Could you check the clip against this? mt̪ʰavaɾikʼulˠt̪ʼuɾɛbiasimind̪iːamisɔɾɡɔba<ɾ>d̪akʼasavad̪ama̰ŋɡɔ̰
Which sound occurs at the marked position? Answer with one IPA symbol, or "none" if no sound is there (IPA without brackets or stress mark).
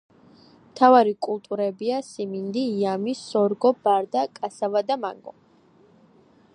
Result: ɾ